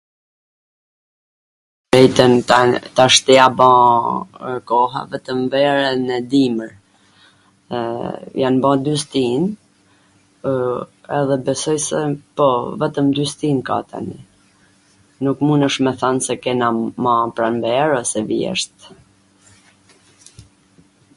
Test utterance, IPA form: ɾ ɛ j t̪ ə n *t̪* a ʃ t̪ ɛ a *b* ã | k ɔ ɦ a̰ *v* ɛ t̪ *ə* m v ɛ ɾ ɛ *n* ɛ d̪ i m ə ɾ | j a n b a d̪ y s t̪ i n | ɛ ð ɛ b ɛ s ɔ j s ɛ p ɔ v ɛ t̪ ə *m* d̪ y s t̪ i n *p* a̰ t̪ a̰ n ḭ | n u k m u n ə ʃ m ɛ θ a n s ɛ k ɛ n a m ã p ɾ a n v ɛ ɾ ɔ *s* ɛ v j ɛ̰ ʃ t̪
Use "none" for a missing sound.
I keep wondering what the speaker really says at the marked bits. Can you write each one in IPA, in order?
t̪, b, v, ə, n, m, k, s

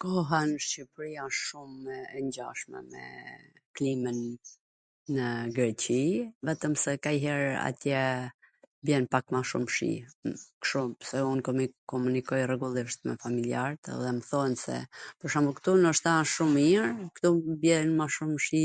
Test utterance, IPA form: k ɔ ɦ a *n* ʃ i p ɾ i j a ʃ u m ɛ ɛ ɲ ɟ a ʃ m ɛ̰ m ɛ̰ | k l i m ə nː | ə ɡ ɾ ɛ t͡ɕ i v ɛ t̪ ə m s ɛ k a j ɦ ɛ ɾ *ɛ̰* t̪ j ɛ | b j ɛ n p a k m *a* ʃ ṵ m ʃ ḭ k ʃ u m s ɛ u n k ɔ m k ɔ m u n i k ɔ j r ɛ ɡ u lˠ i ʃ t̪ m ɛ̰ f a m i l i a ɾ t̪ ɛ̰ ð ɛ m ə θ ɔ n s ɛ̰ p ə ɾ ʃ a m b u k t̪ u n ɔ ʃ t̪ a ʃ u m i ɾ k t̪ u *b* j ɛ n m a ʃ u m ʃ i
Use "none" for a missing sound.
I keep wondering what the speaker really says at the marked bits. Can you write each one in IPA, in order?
n, a̰, a, b

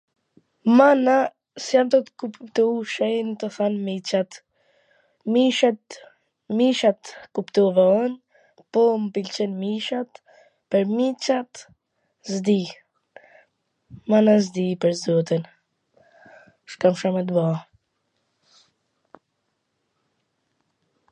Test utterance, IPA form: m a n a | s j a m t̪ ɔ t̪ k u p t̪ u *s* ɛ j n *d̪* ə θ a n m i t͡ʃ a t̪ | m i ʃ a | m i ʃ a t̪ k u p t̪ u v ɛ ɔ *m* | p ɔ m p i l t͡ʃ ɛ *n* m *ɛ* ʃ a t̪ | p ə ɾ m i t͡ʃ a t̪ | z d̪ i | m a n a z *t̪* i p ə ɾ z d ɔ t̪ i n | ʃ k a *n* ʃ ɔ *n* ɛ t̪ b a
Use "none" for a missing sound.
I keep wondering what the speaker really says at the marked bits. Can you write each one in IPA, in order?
ʃ, t̪, n, n, i, d̪, m, m

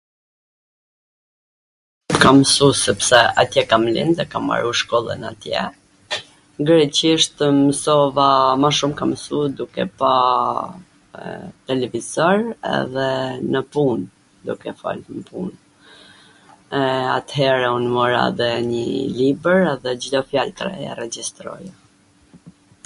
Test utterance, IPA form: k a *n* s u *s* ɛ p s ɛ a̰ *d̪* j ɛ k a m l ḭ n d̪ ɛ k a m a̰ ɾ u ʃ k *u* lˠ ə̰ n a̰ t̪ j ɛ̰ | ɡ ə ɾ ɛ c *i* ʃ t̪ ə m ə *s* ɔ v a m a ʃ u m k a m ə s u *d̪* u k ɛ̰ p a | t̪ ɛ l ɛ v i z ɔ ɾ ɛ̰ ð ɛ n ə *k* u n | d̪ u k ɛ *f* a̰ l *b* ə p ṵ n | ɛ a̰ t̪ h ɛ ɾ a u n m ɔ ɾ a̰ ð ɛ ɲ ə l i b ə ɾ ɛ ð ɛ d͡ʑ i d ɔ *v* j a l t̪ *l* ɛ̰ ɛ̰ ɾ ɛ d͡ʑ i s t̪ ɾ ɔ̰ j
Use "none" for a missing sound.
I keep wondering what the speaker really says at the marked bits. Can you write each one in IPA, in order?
m, s, t̪, ɔ, i, s, d̪, p, f, m, f, ɾ

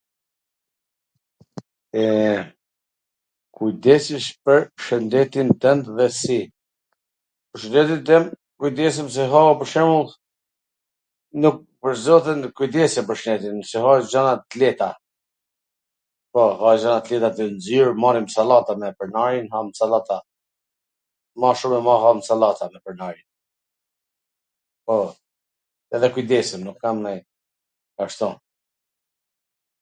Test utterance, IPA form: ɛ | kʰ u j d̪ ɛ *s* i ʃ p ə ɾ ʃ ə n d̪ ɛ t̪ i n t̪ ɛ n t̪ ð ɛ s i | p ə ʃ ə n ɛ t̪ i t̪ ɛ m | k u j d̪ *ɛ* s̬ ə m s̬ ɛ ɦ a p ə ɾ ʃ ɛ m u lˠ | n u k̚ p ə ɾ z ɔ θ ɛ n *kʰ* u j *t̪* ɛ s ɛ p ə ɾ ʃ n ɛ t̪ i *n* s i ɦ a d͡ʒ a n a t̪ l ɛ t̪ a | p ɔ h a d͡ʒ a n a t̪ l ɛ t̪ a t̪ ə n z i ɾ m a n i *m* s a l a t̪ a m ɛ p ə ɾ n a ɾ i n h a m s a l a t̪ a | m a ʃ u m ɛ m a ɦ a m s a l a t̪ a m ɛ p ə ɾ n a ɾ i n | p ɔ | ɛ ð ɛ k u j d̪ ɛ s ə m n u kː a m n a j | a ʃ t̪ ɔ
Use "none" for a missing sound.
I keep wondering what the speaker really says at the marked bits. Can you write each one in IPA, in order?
s, ɛ, k, d̪, n, m

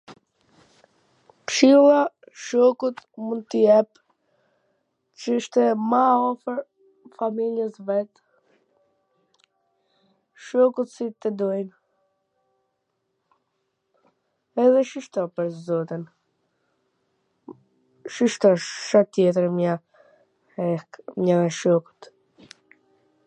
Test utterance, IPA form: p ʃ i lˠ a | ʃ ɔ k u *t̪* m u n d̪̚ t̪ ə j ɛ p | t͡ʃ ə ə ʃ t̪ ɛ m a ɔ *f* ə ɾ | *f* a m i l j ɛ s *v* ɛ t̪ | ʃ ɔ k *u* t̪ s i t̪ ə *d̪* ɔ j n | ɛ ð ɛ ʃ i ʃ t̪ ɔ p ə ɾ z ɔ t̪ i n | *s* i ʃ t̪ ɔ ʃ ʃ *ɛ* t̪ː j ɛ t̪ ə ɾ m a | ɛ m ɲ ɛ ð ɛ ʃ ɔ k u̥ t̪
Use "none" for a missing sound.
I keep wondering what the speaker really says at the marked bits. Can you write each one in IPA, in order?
t̪, f, f, v, u, d̪, ʃ, a

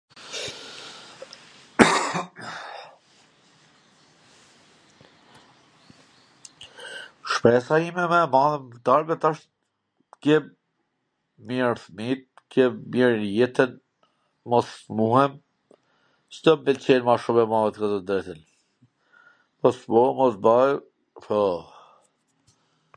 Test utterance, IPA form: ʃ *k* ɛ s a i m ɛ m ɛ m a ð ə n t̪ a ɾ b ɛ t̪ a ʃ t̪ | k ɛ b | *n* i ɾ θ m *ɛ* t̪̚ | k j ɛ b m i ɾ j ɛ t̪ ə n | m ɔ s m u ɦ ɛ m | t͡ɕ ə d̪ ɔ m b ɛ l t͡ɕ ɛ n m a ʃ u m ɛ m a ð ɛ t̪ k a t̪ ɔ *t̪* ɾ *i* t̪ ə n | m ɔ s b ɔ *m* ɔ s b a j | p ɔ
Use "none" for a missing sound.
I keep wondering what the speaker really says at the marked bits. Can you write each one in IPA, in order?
p, m, i, d̪, ɛ, m

